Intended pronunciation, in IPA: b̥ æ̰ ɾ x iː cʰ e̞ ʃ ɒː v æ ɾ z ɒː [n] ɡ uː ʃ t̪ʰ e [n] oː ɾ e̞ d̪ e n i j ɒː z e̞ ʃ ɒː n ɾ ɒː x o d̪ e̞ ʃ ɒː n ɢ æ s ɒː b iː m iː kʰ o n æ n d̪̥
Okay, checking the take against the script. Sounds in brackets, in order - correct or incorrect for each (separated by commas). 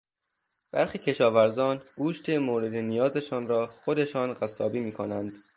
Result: correct, incorrect